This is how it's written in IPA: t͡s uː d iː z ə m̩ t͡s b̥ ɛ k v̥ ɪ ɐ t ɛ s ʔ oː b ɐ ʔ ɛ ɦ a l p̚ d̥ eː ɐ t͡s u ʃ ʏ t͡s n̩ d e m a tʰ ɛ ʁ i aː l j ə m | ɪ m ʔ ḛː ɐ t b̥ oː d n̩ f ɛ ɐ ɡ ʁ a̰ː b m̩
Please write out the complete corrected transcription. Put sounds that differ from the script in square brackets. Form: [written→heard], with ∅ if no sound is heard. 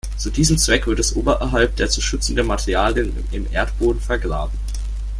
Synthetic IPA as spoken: t͡s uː d iː z ə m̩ t͡s [b̥→v̥] ɛ k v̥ ɪ ɐ t ɛ s ʔ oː b ɐ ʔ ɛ ɦ a l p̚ d̥ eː ɐ t͡s u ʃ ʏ t͡s n̩ d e m a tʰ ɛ ʁ i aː l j ə [m→n] | ɪ m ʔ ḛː ɐ t b̥ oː d n̩ f ɛ ɐ ɡ ʁ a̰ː b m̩